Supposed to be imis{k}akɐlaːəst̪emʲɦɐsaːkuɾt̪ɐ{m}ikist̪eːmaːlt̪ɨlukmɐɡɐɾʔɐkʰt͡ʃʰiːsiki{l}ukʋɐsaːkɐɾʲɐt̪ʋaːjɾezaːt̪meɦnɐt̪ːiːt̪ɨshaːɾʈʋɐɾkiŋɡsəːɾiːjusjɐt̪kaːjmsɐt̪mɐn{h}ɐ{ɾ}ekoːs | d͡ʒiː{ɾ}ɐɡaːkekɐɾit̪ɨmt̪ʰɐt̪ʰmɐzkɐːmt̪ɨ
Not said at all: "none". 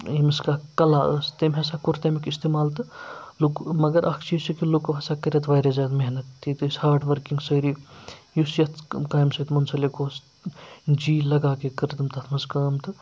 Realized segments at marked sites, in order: k, m, l, s, l, l

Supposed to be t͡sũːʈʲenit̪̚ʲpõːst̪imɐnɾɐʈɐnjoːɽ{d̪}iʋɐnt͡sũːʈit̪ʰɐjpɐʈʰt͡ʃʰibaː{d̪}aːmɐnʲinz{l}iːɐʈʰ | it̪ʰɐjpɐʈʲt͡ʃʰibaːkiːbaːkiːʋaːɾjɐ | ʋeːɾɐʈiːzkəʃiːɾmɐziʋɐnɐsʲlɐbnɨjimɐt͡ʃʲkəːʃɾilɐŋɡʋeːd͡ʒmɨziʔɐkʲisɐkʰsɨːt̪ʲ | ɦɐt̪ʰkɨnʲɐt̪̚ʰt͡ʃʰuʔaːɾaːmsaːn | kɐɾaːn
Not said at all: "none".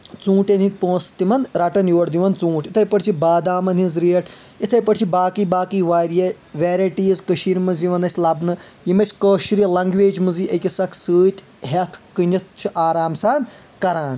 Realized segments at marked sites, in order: d̪, d̪, ɾ

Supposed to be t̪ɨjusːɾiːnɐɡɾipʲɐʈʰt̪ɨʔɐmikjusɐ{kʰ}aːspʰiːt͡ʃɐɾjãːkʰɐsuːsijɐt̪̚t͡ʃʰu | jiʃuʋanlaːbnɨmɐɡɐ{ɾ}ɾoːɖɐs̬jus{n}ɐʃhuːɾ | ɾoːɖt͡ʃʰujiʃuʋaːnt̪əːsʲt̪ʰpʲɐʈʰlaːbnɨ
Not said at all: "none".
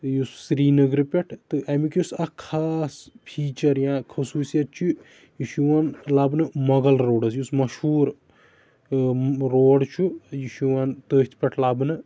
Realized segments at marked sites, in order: kʰ, l, m

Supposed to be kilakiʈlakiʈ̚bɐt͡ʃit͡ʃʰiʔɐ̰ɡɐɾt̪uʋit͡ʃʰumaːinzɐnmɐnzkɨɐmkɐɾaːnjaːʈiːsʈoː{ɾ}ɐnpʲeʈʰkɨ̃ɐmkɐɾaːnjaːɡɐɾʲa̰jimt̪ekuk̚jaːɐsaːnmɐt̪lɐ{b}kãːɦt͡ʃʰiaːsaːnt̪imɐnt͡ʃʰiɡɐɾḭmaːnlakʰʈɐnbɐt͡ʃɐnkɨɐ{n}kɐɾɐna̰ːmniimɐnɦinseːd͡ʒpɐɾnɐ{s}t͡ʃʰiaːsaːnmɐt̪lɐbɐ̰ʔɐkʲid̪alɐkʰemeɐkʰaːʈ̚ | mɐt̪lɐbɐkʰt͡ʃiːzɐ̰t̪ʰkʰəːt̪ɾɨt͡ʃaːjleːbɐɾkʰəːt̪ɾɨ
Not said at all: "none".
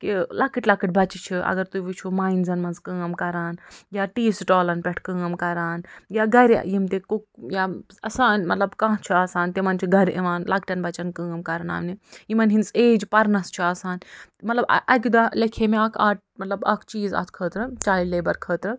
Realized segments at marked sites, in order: l, b, m, s

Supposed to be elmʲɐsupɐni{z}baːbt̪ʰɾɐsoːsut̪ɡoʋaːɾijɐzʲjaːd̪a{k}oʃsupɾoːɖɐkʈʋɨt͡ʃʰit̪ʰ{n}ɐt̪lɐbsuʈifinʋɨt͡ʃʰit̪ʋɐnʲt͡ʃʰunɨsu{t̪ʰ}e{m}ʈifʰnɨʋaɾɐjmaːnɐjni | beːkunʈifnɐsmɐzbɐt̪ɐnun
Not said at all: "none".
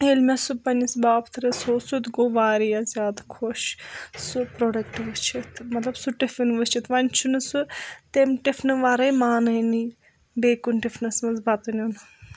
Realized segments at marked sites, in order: s, kʰ, m, t̪, m

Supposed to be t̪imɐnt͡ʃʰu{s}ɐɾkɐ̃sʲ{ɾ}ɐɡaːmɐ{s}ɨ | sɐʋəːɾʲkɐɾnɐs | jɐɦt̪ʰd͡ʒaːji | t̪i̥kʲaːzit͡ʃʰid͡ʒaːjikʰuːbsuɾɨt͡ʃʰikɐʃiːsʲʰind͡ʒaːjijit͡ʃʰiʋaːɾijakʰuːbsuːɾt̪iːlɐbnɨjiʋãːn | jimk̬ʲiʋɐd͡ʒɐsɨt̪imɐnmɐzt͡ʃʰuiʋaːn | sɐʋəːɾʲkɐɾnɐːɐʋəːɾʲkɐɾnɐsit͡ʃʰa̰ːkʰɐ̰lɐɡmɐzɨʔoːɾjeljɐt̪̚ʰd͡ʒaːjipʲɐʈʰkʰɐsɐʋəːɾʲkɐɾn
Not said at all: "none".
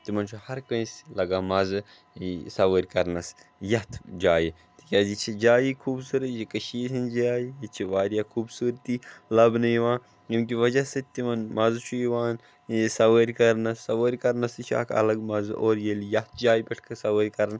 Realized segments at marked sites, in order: h, l, z

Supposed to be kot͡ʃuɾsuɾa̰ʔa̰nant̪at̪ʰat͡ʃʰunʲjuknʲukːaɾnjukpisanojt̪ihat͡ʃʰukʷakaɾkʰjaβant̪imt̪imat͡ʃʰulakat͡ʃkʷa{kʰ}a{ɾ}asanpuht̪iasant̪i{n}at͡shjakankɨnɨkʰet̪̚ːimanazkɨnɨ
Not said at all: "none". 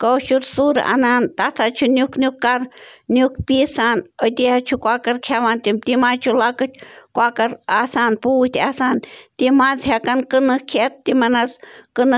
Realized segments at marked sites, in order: k, ɾ, m

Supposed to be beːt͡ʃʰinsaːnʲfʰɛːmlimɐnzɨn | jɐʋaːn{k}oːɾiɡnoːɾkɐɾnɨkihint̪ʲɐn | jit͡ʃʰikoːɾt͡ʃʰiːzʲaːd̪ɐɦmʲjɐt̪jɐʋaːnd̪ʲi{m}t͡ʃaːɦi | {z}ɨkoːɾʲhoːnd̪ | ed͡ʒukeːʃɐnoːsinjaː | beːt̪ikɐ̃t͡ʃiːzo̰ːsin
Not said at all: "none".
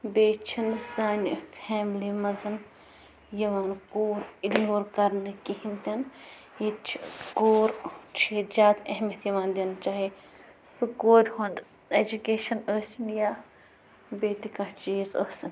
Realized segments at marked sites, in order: k, n, s

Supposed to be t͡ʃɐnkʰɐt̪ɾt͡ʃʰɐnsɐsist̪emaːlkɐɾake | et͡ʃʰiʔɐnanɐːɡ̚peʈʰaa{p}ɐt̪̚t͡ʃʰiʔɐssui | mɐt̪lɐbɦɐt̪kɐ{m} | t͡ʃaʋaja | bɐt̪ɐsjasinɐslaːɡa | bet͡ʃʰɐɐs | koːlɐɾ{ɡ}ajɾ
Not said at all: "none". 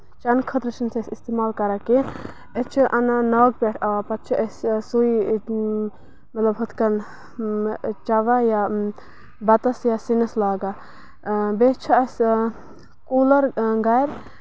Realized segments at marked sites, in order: p, n, ɡ

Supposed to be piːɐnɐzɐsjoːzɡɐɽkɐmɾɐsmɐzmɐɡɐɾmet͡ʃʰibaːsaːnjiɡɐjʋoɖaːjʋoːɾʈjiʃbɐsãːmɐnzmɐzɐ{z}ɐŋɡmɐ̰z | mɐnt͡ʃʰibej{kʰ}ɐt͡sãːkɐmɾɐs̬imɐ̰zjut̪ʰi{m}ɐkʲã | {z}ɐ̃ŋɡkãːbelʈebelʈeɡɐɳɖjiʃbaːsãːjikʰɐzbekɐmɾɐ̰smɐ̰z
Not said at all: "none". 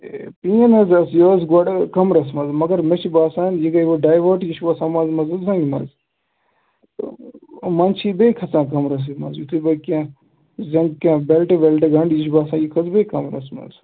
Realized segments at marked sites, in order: z, kʰ, b, z

